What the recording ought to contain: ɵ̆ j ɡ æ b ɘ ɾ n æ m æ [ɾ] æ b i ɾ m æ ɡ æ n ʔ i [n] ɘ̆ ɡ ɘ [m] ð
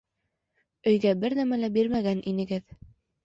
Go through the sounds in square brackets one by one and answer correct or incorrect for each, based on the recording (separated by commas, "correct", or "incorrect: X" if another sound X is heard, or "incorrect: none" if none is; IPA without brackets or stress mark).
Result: incorrect: l, correct, incorrect: none